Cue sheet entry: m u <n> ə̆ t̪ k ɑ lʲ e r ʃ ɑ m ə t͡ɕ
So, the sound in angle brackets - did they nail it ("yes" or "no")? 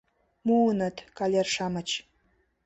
yes